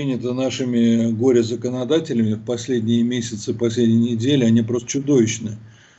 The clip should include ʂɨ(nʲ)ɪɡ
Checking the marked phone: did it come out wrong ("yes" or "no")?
yes